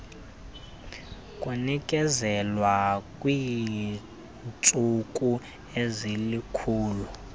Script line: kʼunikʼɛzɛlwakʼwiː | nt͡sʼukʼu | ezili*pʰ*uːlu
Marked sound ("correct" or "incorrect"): incorrect